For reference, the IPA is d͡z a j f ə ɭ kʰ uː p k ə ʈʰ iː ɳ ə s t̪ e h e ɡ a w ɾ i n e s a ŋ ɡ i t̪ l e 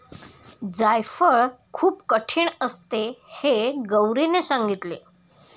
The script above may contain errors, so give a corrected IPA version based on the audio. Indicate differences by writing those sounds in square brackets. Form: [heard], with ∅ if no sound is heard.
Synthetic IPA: d͡z a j f ə ɭ kʰ uː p k ə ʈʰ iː ɳ ə s t̪ e h e ɡ [ə] w ɾ i n e s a ŋ ɡ i t̪ l e